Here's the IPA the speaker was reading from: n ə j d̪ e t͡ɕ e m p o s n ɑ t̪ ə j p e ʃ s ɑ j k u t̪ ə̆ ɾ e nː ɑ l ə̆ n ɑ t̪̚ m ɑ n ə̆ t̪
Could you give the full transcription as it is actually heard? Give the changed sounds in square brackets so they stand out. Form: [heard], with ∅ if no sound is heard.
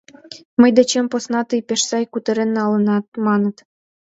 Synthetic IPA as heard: [m] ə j d̪ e t͡ɕ e m p o s n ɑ t̪ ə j p e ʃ s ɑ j k u t̪ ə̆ ɾ e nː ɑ l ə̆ n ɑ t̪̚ m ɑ n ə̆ t̪

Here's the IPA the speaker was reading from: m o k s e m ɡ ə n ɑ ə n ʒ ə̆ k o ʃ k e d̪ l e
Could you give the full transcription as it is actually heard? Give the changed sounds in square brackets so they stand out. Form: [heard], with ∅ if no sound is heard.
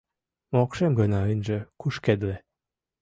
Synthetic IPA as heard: m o k [ʃ] e m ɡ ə n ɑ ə n ʒ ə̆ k [u] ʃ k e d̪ l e

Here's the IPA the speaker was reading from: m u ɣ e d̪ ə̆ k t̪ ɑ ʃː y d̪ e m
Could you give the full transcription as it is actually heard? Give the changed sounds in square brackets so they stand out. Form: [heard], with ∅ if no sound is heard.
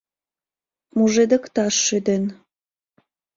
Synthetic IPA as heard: m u [ʒ] e d̪ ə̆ k t̪ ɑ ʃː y d̪ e [n]

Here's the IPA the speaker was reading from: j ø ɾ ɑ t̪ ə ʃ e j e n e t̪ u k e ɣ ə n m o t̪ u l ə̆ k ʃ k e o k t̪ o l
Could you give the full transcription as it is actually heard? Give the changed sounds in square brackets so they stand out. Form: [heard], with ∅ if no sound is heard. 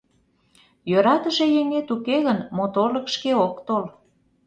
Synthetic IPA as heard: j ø ɾ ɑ t̪ ə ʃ e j e [ŋ] e t̪ u k e ɣ ə n m o t̪ [o] l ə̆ k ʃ k e o k t̪ o l

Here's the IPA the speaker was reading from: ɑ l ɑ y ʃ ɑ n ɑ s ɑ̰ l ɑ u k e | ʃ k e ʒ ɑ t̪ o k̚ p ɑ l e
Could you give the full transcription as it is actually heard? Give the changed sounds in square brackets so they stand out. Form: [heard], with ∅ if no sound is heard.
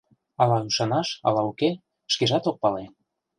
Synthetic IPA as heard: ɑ l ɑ y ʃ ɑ n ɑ [ʃ] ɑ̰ l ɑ u k e | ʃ k e ʒ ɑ t̪ o k̚ p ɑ l e

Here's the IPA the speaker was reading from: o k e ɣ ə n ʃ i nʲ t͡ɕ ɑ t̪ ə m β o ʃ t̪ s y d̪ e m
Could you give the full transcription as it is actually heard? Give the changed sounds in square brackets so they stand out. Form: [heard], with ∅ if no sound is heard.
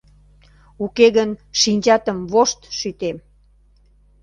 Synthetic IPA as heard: [u] k e ɣ ə n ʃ i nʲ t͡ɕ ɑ t̪ ə m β o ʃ t̪ [ʃ] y [t̪] e m

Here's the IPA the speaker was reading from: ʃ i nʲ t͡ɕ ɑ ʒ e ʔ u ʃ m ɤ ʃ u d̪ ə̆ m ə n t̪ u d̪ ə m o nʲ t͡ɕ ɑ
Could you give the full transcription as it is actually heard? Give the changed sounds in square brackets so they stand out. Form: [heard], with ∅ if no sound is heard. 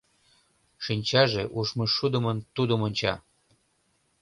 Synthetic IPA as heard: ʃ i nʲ t͡ɕ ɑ ʒ e ʔ u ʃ m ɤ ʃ u d̪ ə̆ m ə n t̪ u d̪ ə m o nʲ t͡ɕ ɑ

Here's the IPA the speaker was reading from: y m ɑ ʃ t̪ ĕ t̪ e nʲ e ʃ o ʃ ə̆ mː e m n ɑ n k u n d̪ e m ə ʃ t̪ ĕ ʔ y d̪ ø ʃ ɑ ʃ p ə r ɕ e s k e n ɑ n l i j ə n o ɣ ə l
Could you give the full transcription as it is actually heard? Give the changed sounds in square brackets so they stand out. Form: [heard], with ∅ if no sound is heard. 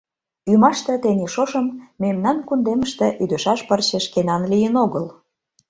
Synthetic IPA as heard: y m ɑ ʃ t̪ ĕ t̪ e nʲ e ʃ o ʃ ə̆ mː e m n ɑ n k u n d̪ e m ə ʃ t̪ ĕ ʔ y d̪ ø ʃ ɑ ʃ p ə r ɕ e [ʃ] k e n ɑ n l i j ə n o ɣ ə l

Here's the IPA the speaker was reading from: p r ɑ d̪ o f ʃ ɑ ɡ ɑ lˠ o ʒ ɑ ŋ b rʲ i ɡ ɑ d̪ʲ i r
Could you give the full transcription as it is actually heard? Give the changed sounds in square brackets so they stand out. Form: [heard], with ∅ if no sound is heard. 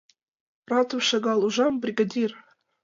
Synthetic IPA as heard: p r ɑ [t̪] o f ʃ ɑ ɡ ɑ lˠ [u] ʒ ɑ [m] b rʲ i ɡ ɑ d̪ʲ i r

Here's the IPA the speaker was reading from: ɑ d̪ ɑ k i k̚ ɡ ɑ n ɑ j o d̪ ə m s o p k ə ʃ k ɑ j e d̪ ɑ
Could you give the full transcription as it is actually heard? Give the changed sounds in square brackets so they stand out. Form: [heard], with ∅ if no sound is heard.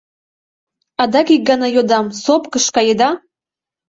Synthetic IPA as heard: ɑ d̪ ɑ k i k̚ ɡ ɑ n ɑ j o d̪ [ɑ] m s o p k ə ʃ k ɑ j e d̪ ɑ

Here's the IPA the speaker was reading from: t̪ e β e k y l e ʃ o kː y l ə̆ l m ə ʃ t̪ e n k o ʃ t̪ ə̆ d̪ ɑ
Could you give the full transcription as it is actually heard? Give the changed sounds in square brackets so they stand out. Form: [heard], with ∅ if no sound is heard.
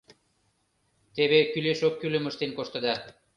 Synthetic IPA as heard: t̪ e β e k y l e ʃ o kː y l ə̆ [∅] m ə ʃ t̪ e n k o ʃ t̪ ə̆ d̪ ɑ

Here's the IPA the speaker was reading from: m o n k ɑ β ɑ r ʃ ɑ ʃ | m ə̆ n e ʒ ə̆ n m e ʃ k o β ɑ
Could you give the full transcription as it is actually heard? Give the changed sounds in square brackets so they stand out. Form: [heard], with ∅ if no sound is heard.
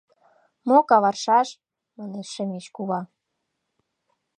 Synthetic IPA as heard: m o [∅] k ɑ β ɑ r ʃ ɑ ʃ | m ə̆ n e [ʃ] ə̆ [∅] m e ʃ k [u] β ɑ

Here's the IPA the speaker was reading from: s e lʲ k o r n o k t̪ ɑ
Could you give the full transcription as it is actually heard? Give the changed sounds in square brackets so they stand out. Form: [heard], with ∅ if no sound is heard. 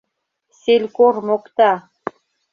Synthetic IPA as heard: s e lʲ k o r [m] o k t̪ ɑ

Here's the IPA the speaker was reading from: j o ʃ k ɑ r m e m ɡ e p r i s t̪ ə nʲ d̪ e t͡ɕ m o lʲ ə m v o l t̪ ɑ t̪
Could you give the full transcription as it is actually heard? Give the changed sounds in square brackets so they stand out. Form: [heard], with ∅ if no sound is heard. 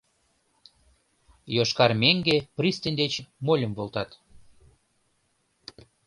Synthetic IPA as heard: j o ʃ k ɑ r m e [ŋ] ɡ e p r i s t̪ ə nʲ d̪ e t͡ɕ m o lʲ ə m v o l t̪ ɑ t̪

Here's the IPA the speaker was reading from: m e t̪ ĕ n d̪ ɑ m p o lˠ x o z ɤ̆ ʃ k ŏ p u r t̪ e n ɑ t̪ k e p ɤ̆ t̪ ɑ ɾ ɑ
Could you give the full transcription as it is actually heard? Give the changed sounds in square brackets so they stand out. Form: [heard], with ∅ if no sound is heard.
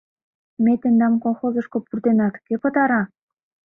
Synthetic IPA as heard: m e t̪ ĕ n d̪ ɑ m [k] o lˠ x o z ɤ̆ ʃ k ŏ p u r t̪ e n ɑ t̪ k e p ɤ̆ t̪ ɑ ɾ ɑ

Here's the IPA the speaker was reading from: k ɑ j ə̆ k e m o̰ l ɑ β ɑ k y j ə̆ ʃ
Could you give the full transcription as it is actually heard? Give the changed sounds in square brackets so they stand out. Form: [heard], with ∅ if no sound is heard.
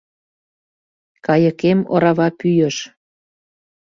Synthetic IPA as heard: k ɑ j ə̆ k e m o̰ [ɾ] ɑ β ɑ [p] y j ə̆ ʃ

